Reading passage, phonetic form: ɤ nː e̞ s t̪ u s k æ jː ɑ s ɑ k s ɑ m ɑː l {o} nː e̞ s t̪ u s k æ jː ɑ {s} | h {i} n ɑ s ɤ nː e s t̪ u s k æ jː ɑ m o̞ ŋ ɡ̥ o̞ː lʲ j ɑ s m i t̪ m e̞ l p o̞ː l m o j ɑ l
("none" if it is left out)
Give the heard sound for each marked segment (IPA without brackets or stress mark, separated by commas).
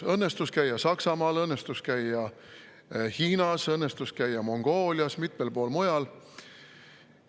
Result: ɤ, none, iː